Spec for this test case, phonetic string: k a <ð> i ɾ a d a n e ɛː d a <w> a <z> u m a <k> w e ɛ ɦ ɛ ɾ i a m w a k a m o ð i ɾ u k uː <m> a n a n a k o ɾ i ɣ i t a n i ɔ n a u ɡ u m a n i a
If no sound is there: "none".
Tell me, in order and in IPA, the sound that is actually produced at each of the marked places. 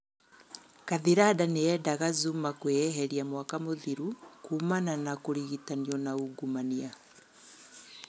ð, ɣ, z, k, m

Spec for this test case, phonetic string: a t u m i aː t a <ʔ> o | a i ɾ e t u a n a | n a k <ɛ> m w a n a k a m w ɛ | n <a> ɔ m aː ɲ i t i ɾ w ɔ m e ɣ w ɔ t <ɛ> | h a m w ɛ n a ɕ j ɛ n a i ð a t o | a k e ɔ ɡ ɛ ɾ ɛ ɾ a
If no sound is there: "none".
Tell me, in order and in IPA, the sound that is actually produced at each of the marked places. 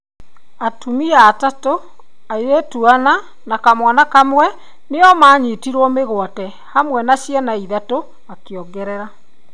t, a, e, ɛ

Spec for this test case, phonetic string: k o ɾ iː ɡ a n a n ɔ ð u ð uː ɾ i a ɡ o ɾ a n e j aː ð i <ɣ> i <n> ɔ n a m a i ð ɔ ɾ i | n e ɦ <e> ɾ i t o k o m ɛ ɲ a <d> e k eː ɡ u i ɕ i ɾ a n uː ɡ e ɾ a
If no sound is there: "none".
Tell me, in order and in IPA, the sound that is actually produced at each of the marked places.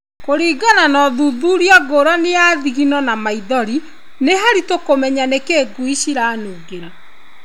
ɣ, n, a, n

